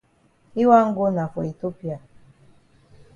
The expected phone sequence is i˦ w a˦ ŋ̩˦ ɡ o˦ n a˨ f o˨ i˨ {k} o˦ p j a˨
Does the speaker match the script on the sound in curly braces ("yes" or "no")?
no